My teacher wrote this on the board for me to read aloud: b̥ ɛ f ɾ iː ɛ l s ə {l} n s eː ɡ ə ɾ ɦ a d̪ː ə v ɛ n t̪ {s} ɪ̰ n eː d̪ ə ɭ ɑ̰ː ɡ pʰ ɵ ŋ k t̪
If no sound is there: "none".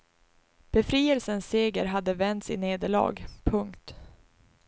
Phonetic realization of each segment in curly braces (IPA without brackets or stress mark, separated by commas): none, s